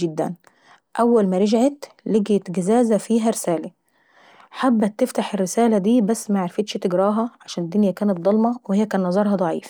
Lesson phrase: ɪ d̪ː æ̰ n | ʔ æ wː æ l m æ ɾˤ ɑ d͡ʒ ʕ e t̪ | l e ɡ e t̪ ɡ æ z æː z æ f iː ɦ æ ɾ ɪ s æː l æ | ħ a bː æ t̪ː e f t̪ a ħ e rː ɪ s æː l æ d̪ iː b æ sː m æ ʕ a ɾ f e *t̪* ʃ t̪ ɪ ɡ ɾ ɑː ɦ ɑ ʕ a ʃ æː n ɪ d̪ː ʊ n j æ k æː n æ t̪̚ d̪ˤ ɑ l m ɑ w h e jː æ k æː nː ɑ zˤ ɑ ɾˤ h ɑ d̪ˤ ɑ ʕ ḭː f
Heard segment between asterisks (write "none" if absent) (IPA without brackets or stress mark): t̪